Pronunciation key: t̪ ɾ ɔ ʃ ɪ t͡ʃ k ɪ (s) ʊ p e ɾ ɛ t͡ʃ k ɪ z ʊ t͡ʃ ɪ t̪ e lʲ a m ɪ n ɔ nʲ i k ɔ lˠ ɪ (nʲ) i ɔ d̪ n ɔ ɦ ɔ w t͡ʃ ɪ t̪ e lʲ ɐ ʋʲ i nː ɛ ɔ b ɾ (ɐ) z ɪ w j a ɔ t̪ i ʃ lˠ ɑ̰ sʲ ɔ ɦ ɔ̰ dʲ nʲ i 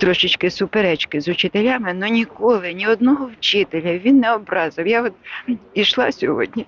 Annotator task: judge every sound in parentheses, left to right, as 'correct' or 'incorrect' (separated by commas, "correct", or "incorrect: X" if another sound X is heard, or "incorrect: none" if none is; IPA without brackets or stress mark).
correct, correct, incorrect: ɑ